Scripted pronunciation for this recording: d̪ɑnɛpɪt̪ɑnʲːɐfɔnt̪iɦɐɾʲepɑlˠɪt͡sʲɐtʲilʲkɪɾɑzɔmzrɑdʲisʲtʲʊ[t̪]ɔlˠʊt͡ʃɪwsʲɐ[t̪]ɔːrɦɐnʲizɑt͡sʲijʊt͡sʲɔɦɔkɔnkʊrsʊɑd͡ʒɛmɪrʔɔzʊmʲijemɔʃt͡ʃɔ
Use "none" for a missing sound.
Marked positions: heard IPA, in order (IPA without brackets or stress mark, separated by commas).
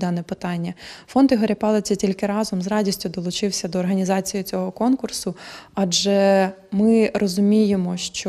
d̪, d̪